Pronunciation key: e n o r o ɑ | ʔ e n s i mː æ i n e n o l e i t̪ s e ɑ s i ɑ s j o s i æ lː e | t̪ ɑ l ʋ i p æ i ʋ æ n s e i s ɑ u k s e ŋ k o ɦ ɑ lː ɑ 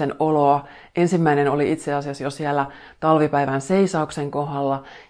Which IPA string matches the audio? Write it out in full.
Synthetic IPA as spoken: e n o l o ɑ | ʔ e n s i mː æ i n e n o l i i t̪ s e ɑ s i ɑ s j o s i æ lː æ | t̪ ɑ l ʋ i p æ i ʋ æ n s e i s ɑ u k s e ŋ k o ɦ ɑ lː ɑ